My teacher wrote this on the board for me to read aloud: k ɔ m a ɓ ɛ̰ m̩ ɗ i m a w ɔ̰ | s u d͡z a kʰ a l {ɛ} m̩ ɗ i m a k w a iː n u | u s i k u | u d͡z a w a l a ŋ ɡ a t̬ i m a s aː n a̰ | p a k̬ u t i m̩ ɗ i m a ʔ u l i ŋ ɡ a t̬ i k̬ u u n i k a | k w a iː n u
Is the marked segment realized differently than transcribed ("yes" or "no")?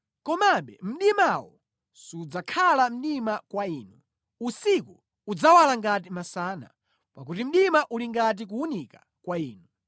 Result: yes